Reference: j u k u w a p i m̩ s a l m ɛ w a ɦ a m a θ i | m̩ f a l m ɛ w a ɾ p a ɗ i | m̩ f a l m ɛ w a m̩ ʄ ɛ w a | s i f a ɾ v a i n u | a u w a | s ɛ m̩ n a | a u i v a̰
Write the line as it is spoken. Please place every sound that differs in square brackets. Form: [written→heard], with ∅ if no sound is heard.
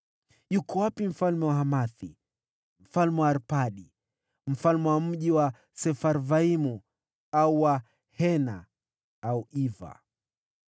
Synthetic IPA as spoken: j u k [u→ɔ] w a p i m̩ [s→f] a l m ɛ w a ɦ a m a θ i | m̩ f a l m ɛ w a ɾ p a ɗ i | m̩ f a l m ɛ w a m̩ ʄ [ɛ→i] w a | s [i→ɛ] f a ɾ v a i [n→m] u | a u w a | [s→h] ɛ [m̩→∅] n a | a u i v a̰